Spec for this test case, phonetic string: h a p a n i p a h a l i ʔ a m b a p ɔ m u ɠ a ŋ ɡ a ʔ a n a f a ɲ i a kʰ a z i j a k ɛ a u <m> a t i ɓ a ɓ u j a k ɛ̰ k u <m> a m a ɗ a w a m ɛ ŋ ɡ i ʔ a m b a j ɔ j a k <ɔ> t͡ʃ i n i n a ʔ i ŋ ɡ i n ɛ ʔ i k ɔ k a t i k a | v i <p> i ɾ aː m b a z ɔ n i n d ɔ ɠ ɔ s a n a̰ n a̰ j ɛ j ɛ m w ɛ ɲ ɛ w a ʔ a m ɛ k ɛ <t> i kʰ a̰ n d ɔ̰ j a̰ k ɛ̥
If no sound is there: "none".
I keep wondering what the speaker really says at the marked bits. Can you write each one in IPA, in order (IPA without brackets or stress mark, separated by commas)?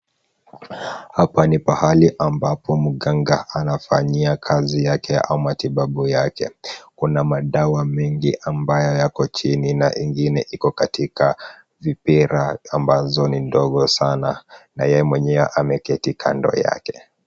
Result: m, n, ɔ, p, t